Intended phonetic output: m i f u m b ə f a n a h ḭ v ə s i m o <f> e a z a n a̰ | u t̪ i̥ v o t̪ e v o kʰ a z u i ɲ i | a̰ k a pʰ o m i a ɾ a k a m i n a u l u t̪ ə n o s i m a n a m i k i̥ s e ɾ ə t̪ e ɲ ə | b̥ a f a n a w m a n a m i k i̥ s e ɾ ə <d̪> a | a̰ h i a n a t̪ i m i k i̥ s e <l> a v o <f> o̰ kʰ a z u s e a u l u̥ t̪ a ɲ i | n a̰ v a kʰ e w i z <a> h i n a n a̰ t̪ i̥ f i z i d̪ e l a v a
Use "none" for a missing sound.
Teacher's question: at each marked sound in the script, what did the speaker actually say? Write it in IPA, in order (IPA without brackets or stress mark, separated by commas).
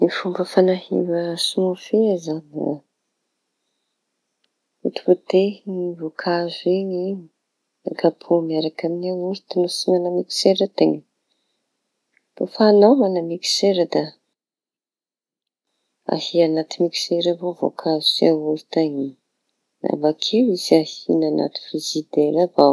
f, d̪, ɾ, v, a